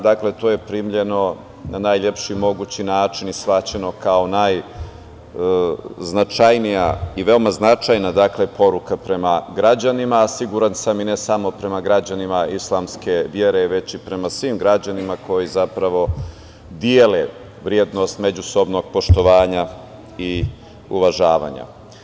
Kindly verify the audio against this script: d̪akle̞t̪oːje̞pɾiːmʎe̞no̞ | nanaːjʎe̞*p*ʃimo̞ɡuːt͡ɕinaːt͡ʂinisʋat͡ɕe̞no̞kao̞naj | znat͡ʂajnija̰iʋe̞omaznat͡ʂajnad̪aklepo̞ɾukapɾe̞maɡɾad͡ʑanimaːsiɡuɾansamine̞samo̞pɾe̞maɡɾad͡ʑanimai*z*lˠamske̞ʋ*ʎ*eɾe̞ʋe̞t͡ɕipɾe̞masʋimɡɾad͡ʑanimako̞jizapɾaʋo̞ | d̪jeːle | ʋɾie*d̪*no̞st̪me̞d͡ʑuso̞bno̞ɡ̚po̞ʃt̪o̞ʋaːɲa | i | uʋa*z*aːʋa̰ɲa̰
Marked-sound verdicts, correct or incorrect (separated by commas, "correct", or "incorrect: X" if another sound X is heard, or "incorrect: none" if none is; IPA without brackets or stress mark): correct, incorrect: s, incorrect: j, correct, incorrect: ʒ